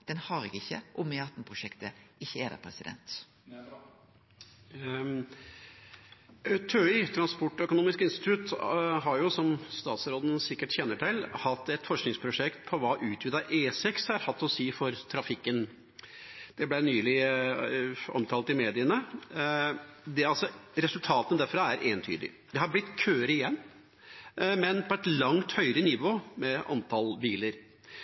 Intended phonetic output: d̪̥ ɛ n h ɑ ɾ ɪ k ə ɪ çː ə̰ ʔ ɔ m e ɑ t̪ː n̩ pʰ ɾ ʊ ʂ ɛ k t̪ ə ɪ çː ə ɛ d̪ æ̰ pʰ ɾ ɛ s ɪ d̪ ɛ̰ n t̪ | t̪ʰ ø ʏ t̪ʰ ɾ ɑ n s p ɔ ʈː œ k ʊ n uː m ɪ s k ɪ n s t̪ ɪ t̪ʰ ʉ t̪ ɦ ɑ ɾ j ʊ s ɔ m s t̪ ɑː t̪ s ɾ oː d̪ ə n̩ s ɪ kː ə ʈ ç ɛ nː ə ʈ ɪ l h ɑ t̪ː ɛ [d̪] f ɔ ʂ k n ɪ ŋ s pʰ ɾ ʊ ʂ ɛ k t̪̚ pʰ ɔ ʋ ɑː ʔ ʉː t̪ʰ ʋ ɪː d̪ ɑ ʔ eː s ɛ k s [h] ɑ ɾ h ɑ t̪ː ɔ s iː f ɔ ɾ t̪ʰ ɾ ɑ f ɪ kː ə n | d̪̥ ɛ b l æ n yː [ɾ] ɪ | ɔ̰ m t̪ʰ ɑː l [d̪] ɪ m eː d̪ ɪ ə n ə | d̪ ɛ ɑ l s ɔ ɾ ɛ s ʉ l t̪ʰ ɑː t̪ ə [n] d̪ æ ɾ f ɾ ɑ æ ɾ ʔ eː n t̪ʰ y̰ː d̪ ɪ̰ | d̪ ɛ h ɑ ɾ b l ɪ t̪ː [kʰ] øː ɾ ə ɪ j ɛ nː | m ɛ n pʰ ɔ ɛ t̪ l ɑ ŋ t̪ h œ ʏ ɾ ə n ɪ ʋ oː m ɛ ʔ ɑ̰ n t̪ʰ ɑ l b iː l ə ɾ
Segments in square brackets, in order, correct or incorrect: incorrect: t̪, correct, incorrect: l, incorrect: t̪, correct, correct

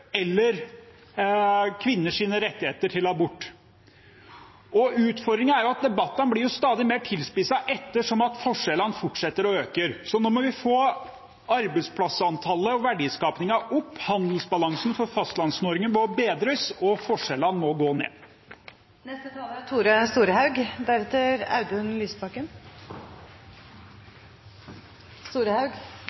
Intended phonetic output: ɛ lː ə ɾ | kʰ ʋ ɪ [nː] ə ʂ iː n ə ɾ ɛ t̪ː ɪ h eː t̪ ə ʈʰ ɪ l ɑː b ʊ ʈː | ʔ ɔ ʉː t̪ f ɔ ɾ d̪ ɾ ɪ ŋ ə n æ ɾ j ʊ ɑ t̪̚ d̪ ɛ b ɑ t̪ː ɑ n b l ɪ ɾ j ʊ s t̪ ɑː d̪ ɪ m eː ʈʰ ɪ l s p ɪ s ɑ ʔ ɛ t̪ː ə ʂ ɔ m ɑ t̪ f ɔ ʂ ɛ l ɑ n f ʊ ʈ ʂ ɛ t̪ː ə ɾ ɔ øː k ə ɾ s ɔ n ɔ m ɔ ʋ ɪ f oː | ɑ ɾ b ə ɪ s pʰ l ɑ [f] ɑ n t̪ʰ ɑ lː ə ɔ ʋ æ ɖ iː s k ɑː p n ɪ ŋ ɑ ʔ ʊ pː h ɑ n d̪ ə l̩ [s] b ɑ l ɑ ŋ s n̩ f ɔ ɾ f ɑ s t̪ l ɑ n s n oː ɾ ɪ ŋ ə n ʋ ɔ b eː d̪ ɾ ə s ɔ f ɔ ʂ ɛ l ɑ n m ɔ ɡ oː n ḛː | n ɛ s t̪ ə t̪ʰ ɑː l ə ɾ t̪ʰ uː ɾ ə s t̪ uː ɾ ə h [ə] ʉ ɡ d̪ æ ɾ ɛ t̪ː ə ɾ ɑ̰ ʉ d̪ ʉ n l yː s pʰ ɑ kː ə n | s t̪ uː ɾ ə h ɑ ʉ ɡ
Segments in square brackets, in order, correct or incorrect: correct, incorrect: s, correct, incorrect: ɑ

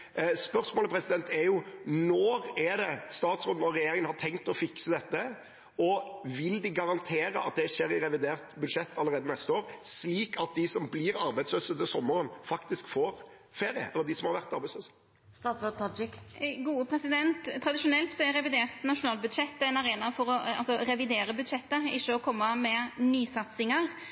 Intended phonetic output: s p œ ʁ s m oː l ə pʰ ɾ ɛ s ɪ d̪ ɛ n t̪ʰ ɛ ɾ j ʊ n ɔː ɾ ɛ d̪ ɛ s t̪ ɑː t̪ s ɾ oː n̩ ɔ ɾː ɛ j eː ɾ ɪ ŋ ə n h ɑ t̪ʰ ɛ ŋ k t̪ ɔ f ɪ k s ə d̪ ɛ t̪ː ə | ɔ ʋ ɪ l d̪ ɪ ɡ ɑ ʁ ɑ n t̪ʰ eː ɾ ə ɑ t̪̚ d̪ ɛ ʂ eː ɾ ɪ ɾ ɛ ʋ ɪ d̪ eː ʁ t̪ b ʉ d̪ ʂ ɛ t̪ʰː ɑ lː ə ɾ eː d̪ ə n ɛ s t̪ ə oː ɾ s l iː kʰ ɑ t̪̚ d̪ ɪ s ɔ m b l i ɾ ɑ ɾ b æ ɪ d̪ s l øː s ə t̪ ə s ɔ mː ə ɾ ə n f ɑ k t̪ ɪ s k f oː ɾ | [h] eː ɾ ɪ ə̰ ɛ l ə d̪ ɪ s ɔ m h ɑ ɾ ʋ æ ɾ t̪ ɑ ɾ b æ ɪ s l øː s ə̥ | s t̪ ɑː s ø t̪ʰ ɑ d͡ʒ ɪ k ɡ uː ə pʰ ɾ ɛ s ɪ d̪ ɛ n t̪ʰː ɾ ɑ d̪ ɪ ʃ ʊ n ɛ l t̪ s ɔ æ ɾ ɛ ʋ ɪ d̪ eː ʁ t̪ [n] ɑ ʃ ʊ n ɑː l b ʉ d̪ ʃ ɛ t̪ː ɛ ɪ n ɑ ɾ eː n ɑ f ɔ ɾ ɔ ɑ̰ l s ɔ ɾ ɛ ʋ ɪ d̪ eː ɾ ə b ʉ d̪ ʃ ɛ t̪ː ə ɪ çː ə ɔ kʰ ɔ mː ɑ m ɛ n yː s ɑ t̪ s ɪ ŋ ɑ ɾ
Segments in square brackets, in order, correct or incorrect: incorrect: f, correct

